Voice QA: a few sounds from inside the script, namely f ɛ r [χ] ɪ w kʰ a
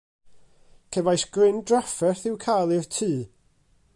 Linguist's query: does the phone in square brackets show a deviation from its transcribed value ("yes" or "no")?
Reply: yes